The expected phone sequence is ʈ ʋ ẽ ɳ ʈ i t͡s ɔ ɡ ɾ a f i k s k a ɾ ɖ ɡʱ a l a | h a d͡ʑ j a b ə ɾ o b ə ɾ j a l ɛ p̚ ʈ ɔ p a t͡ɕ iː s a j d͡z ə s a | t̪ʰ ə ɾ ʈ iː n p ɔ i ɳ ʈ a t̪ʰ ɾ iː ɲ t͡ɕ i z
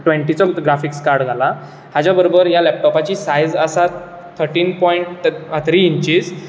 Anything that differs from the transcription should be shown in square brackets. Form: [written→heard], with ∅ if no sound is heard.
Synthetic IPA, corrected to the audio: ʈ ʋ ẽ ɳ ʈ i t͡s ɔ ɡ ɾ a f i k s k a ɾ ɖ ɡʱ a l a | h a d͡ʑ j a b ə ɾ o b ə ɾ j a l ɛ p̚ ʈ ɔ p a t͡ɕ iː s a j d͡z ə s a | t̪ʰ ə ɾ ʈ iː n p ɔ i ɳ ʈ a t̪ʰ ɾ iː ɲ t͡ɕ i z